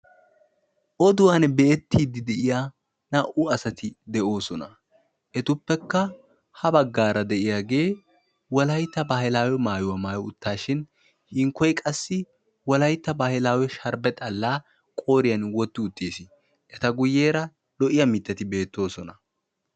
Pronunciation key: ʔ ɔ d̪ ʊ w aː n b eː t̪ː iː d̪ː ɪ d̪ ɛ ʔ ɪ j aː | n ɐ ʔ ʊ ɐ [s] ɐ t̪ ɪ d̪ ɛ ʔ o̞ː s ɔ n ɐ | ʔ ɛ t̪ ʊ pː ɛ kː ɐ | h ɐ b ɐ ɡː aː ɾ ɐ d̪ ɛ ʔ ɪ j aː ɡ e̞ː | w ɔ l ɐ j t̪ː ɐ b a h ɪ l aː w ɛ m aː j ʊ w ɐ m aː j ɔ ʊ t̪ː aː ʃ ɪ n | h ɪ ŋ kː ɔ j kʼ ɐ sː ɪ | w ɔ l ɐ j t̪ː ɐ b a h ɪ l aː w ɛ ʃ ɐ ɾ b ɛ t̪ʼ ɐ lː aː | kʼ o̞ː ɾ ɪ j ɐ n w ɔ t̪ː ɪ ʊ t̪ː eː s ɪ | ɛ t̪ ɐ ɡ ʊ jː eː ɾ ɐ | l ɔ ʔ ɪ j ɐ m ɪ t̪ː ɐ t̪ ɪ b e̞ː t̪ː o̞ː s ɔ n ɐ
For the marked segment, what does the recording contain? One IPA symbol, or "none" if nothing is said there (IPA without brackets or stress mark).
s